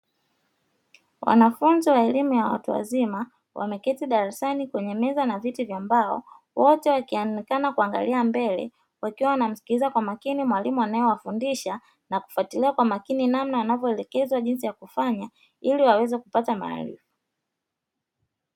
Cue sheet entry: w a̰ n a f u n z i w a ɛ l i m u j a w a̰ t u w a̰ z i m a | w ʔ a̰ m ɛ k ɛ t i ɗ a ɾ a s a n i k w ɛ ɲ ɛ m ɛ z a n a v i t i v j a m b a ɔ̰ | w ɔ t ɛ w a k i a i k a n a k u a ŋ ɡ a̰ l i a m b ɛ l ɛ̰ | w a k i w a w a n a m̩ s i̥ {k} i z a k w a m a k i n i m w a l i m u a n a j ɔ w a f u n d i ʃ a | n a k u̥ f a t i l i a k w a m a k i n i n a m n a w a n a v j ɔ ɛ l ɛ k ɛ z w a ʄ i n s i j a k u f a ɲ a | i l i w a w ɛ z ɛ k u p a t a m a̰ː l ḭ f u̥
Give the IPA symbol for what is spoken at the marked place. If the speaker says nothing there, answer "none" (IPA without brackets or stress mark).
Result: k